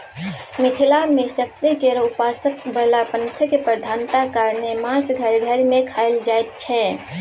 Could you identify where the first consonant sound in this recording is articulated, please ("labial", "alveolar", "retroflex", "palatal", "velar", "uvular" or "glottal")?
labial